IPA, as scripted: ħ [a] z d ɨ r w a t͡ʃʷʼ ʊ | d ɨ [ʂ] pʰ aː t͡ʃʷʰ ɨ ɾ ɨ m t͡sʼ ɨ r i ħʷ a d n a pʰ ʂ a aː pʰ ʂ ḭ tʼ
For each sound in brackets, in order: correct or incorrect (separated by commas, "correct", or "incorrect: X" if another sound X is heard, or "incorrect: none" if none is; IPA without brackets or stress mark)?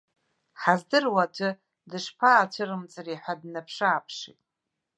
correct, correct